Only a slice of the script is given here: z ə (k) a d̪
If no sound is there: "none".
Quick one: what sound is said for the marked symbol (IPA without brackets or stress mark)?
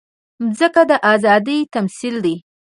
k